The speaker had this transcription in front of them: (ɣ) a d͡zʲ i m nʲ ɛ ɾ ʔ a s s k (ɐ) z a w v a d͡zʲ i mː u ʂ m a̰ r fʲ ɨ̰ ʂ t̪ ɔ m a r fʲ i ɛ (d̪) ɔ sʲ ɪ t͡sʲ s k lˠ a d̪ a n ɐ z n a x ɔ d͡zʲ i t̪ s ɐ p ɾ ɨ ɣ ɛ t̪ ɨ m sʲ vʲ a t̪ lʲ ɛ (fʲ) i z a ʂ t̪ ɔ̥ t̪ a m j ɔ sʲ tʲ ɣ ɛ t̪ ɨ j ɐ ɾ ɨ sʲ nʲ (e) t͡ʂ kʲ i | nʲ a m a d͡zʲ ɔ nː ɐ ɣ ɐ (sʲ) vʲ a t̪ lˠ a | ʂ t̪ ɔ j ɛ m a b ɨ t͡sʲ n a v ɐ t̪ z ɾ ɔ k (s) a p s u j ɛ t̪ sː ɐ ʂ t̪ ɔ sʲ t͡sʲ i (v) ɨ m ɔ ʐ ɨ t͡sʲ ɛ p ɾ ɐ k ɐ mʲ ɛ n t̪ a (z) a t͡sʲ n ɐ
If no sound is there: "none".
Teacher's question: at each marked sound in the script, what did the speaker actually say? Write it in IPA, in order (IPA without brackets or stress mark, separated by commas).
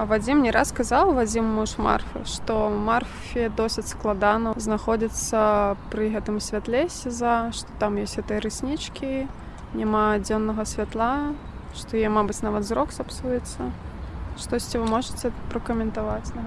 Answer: v, a, d̪, sʲ, i, sʲ, s, v, v